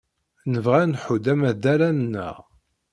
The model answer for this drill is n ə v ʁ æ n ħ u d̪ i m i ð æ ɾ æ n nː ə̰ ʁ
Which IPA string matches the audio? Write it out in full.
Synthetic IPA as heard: n ə v ʁ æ n ħ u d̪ æ m æ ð æ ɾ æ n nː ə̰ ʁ